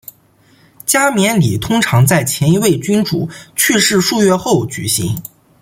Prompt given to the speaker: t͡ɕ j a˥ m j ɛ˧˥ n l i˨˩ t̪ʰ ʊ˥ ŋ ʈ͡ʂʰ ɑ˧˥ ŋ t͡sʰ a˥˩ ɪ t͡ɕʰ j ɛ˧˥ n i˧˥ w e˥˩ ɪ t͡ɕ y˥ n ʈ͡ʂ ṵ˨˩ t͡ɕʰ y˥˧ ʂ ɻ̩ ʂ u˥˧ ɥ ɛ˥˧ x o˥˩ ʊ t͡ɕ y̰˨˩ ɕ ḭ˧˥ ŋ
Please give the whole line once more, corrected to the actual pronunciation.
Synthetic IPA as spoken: t͡ɕ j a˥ m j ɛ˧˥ n l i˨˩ t̪ʰ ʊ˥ ŋ ʈ͡ʂʰ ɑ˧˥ ŋ t͡s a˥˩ ɪ t͡ɕʰ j ɛ˧˥ n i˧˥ w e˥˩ ɪ t͡ɕ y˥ n ʈ͡ʂ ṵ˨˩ t͡ɕʰ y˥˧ ʂ ɻ̩ ʂ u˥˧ ɥ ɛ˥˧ x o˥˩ ʊ t͡ɕ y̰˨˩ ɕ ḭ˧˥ ŋ

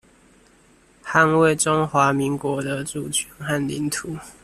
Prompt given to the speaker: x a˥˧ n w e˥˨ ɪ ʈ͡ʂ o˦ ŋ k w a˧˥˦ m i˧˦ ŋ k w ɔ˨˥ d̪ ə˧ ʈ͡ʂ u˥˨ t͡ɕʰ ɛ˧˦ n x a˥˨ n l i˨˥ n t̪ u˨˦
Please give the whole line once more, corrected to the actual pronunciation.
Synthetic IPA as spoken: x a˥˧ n w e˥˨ ɪ ʈ͡ʂ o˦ ŋ x w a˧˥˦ m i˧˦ ŋ k w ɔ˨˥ d̪ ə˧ ʈ͡ʂ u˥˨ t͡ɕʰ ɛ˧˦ n x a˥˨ n l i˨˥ n t̪ʰ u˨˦

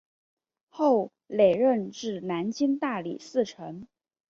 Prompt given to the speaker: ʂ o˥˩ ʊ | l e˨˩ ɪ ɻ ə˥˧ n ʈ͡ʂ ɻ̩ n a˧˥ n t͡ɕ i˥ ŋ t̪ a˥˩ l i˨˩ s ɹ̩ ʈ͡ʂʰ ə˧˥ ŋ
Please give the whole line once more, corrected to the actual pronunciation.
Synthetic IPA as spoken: x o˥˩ ʊ | l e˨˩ ɪ ɻ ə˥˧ n ʈ͡ʂ ɻ̩ n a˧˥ n t͡ɕ i˥ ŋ t̪ a˥˩ l i˨˩ s ɹ̩ ʈ͡ʂʰ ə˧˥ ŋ

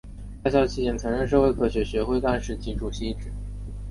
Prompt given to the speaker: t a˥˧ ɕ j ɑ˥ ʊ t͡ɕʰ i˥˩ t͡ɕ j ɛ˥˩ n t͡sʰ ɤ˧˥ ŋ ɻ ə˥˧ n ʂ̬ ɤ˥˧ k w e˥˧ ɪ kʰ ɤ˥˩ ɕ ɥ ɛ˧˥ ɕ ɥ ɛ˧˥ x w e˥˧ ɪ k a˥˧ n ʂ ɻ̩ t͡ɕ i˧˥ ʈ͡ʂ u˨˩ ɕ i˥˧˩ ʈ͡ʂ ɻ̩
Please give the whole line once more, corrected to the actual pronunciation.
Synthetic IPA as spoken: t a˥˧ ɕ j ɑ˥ ʊ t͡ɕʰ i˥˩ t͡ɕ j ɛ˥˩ n t͡sʰ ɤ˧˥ ŋ ɻ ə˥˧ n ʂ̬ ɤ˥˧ x w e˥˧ ɪ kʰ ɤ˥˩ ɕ ɥ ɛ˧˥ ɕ ɥ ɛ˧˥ x w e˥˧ ɪ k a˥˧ n ʂ ɻ̩ t͡ɕ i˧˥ ʈ͡ʂ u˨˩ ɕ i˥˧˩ ʈ͡ʂ ɻ̩

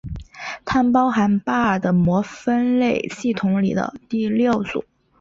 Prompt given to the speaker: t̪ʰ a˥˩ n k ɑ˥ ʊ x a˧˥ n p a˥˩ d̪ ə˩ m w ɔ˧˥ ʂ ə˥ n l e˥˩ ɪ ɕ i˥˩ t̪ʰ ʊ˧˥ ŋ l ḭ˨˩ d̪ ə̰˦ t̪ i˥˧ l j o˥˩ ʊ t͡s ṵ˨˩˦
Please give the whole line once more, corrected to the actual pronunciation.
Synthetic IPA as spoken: t̪ʰ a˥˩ n p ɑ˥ ʊ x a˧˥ n p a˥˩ d̪ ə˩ m w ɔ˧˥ f ə˥ n l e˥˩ ɪ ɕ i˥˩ t̪ʰ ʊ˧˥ ŋ l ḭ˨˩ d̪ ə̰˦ t̪ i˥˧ l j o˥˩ ʊ t͡s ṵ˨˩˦

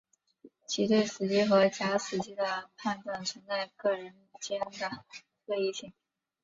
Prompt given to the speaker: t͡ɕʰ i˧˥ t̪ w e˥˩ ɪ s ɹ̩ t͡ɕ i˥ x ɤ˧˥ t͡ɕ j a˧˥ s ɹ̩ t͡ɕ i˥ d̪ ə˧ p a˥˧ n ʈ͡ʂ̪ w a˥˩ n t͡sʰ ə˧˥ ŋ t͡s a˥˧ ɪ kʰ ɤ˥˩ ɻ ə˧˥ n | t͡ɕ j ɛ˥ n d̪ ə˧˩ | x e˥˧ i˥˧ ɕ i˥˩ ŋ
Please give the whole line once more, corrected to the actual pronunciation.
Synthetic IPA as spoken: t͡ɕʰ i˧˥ t̪ w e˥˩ ɪ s ɹ̩ t͡ɕ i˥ x ɤ˧˥ t͡ɕ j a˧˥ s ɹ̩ t͡ɕ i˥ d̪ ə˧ pʰ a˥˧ n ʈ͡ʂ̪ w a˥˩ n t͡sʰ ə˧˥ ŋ t͡s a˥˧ ɪ k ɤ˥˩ ɻ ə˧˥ n | t͡ɕ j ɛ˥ n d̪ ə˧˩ | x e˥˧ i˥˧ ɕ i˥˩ ŋ

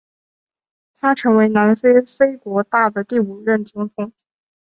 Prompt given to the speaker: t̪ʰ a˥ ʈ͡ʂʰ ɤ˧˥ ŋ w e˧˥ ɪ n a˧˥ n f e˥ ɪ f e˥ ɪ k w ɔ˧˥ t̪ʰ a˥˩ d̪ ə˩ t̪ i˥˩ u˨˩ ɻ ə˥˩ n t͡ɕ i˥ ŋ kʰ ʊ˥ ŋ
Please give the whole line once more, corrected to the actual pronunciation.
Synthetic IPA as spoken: t̪ʰ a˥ ʈ͡ʂʰ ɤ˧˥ ŋ w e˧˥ ɪ n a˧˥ n f e˥ ɪ f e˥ ɪ k w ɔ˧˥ t̪ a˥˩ d̪ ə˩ t̪ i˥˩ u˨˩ ɻ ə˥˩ n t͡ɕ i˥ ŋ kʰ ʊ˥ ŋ

